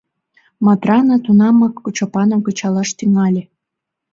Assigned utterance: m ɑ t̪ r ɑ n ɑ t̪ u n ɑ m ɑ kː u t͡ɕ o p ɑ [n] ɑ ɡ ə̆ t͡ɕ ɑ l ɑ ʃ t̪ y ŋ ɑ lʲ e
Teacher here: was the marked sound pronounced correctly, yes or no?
yes